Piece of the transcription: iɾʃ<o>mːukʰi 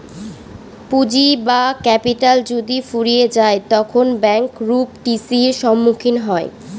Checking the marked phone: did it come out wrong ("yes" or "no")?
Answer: yes